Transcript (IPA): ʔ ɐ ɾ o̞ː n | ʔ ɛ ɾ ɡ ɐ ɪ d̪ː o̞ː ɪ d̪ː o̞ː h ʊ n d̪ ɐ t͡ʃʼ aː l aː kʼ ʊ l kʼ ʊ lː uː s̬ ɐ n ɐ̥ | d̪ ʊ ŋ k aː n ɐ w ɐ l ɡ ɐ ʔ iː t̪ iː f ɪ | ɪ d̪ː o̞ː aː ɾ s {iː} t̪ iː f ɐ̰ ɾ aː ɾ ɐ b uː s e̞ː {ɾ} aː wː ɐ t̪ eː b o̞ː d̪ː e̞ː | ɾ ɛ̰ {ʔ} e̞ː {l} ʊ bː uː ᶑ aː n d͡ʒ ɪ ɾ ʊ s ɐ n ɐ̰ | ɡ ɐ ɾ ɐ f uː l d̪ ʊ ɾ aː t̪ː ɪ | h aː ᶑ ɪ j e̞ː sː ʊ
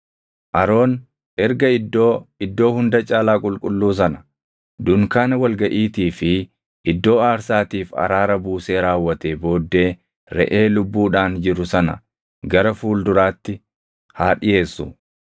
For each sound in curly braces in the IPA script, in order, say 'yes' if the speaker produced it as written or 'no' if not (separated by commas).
no, yes, yes, yes